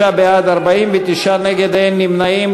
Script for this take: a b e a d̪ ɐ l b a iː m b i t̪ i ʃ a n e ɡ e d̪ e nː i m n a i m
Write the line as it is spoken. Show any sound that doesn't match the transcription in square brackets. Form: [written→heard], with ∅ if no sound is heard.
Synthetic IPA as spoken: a b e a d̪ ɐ [l→ɾ] b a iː m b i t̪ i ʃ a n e ɡ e d̪ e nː i m n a i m